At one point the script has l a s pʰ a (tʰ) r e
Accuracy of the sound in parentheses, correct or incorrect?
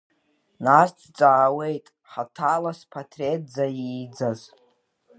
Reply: correct